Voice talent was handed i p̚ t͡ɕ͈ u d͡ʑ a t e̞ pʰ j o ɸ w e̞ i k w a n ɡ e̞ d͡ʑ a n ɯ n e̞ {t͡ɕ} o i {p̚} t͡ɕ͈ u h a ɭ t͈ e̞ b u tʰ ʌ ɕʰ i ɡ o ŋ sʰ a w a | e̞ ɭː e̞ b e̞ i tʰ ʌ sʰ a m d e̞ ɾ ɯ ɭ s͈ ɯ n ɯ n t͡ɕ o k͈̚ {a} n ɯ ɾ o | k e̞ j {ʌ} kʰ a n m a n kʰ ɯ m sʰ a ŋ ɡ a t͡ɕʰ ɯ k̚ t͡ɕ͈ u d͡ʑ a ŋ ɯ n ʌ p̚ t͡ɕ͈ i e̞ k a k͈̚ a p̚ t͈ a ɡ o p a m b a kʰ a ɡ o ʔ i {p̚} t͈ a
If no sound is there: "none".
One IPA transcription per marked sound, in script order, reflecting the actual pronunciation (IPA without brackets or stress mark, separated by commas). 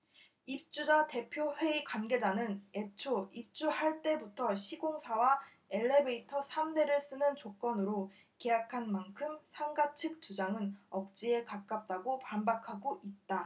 t͡ɕʰ, p̚, ʌ, a, t̚